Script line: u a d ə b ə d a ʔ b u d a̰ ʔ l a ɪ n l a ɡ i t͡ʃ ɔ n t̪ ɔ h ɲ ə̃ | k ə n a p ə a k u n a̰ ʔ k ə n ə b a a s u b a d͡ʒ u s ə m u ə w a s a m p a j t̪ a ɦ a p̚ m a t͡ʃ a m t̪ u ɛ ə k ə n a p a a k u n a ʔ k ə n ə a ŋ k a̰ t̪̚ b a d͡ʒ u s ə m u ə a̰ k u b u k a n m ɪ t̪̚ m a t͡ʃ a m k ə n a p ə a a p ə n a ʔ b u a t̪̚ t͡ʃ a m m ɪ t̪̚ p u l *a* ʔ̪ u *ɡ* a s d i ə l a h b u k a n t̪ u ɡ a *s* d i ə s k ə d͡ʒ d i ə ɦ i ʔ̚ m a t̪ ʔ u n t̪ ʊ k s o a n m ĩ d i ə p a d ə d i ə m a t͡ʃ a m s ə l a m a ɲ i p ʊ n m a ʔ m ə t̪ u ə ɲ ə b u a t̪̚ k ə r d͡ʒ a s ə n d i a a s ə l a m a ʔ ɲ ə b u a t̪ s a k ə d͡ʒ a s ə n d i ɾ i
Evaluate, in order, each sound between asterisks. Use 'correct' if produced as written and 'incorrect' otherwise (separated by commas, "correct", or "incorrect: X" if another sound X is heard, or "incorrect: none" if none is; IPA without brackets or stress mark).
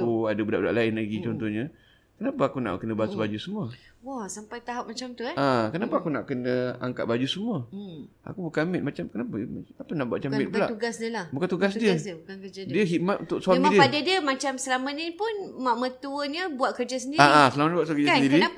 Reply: correct, correct, correct